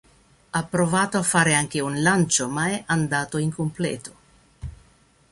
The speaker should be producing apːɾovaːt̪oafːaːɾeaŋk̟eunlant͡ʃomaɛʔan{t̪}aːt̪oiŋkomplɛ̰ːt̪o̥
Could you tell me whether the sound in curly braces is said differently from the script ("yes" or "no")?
yes